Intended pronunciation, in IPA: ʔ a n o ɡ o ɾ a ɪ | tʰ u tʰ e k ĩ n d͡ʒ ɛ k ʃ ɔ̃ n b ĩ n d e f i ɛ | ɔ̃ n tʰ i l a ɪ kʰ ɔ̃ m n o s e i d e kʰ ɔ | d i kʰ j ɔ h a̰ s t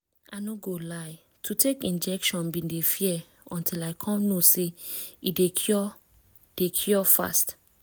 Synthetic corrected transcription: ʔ a n o ɡ o l a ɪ | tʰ u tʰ e k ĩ n d͡ʒ ɛ k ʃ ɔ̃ n b ĩ n d e f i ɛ | ɔ̃ n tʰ i l a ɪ kʰ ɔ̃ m n o s e i d e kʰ ɔ | d e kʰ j ɔ f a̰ s t